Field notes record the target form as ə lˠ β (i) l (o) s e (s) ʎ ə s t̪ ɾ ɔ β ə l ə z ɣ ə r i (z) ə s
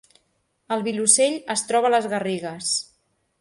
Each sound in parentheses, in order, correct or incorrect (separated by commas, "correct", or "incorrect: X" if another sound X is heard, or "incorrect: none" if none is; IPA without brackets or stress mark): correct, incorrect: u, incorrect: none, incorrect: ɣ